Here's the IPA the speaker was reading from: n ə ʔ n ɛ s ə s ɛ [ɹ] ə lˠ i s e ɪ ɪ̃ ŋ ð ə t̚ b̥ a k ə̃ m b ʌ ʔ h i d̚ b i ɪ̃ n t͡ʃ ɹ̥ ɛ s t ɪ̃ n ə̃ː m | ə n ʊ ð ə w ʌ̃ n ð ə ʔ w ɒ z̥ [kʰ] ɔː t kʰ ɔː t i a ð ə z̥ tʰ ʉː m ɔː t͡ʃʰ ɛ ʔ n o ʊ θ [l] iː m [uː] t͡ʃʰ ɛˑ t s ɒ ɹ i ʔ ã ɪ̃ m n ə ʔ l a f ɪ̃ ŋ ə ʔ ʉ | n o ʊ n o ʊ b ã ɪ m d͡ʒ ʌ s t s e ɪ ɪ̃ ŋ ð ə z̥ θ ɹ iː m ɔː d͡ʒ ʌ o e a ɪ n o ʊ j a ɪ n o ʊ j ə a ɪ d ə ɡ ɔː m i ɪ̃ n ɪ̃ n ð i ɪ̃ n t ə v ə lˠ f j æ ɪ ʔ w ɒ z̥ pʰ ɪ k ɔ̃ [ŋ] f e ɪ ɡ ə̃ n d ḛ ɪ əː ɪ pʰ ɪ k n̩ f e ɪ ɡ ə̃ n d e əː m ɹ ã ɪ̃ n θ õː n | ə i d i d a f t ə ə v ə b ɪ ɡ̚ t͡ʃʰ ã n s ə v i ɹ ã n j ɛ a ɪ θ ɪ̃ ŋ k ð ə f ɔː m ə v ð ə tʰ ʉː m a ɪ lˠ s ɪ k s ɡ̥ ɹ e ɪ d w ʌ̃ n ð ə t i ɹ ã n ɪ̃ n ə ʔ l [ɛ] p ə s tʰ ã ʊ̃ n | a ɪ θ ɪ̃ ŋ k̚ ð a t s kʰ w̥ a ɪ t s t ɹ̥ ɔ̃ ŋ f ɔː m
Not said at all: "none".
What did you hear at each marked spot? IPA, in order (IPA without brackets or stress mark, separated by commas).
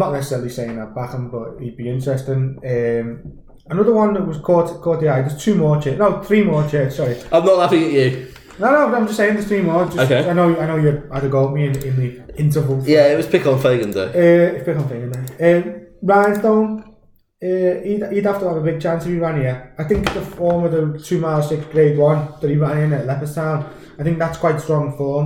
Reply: ɹ, kʰ, ɹ, ɔː, n, ɛ